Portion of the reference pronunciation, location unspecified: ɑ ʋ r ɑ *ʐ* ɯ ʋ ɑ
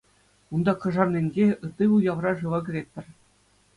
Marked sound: correct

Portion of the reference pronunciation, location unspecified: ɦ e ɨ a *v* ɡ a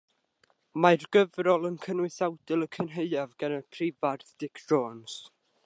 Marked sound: correct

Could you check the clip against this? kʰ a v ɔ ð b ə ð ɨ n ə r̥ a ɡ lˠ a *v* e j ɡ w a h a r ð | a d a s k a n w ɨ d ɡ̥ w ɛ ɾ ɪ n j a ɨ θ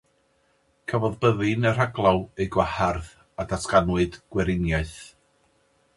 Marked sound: incorrect: w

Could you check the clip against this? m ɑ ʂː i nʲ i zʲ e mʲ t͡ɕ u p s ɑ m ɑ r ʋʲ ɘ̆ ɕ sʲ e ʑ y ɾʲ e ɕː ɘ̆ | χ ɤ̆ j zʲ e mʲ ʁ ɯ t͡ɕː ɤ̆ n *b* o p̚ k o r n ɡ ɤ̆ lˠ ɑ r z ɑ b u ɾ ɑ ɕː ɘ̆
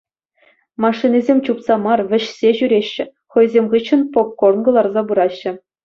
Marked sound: incorrect: p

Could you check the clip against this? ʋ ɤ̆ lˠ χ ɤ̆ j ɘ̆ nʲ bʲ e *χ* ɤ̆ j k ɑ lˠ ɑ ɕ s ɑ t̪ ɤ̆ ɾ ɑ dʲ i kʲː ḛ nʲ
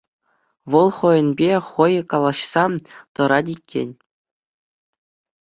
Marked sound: correct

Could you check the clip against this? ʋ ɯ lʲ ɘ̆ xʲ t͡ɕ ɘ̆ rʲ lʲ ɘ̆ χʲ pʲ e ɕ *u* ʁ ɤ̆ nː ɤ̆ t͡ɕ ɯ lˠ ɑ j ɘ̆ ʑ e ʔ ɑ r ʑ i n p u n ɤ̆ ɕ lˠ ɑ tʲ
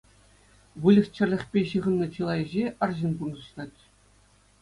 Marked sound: incorrect: ɯ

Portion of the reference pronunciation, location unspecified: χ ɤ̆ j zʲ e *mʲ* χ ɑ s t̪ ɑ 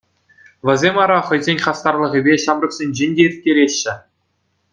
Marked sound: incorrect: nʲ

